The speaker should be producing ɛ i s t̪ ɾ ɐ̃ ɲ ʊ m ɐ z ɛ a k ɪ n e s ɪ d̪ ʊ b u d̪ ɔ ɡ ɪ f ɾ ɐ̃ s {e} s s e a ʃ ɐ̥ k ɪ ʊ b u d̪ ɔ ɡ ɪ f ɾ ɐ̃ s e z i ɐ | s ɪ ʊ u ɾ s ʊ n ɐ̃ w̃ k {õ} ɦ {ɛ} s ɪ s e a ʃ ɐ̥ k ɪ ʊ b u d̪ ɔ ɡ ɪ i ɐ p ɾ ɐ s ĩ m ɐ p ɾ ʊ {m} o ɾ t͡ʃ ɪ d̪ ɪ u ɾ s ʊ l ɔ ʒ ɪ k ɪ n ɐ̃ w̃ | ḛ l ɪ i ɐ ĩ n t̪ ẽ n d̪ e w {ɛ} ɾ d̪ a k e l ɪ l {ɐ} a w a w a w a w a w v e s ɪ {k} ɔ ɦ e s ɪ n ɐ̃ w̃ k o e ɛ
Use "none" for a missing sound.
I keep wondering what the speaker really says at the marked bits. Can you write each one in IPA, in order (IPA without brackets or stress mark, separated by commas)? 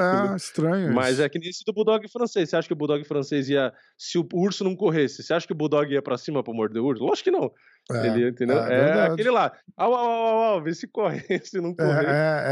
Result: e, o, e, m, ɛ, a, k